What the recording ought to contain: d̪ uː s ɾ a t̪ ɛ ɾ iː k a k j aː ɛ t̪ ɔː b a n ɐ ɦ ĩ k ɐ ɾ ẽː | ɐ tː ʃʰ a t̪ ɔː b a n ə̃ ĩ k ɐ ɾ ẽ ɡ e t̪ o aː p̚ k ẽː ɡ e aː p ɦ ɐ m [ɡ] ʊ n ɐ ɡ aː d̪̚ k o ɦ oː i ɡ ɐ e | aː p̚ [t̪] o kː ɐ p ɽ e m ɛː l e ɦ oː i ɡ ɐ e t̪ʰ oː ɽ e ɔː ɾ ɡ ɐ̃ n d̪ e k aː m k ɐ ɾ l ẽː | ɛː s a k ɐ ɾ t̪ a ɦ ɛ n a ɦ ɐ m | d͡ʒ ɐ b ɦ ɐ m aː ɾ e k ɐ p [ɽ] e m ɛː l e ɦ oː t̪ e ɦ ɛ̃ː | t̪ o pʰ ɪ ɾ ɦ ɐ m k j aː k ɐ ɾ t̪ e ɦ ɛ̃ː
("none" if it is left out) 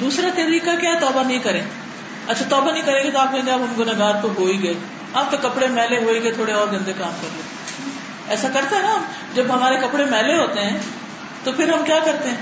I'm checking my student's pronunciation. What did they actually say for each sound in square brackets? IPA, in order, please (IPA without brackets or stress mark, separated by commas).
ɡ, t̪, ɽ